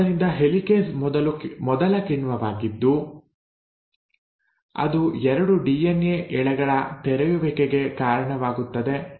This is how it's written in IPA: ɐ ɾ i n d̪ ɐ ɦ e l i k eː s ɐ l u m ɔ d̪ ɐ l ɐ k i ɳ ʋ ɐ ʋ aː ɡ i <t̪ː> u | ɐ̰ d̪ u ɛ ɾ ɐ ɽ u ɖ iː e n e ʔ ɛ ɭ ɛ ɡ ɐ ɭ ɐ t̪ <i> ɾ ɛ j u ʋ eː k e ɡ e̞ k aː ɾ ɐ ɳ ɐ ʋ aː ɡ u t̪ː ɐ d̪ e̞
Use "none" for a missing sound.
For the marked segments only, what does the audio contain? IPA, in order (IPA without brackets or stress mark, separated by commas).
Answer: d̪ː, ɛ